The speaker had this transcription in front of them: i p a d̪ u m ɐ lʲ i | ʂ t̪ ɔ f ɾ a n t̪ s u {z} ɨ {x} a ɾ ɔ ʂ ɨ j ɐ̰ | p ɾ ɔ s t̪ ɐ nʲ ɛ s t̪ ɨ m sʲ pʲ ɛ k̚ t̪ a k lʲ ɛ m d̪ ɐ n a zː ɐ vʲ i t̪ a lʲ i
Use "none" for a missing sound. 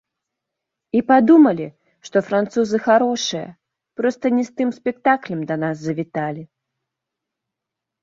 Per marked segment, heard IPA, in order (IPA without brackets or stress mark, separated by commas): z, x